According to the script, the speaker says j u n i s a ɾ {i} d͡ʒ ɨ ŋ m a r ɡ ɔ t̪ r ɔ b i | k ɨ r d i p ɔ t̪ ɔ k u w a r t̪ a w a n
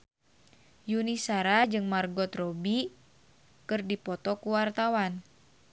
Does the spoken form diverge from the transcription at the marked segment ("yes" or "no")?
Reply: yes